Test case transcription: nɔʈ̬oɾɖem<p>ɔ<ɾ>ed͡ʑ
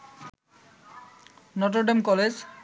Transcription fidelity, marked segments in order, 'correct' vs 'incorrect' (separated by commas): incorrect, incorrect